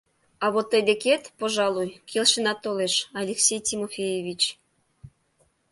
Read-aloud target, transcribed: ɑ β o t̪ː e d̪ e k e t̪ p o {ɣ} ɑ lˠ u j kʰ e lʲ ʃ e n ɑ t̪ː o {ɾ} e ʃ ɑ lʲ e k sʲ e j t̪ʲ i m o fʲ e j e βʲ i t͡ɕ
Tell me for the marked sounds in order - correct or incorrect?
incorrect: ʒ, incorrect: l

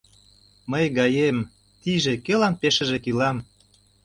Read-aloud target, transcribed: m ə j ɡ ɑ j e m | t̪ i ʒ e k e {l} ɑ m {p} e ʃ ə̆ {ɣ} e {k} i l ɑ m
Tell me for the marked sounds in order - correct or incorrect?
correct, correct, incorrect: ʒ, correct

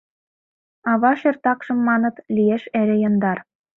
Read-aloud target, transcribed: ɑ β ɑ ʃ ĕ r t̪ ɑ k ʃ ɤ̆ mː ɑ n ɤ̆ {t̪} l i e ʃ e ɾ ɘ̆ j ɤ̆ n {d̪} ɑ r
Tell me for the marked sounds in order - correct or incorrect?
correct, correct

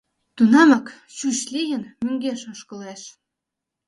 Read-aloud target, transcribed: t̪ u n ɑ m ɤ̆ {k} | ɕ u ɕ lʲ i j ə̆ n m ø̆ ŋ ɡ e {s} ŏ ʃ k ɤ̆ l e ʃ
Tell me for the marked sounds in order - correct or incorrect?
correct, incorrect: ʃ

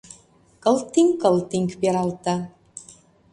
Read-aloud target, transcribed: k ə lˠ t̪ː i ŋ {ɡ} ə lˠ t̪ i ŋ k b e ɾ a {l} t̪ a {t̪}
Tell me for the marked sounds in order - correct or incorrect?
incorrect: k, correct, incorrect: none

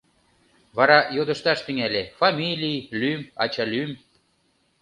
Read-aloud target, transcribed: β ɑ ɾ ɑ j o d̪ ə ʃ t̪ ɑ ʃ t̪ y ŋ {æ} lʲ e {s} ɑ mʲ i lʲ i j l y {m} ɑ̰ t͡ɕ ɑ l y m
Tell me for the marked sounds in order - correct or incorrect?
correct, incorrect: f, correct

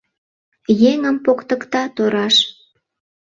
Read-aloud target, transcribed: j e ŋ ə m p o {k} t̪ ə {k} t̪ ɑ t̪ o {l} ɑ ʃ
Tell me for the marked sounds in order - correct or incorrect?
correct, correct, incorrect: ɾ

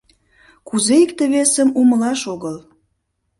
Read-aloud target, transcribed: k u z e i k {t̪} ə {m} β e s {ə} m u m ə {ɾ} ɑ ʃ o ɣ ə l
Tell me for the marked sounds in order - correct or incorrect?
correct, incorrect: none, correct, incorrect: l

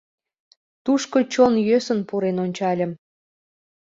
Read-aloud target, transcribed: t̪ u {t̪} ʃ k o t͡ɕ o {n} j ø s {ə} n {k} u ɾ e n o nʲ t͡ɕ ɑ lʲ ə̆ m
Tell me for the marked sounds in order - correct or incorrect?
incorrect: none, correct, correct, incorrect: p

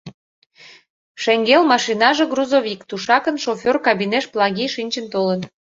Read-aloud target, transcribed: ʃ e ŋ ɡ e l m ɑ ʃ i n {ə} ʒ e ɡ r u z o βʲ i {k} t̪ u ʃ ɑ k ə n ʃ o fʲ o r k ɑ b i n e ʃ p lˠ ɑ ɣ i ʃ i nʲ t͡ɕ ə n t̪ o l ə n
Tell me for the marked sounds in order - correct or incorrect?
incorrect: ɑ, correct

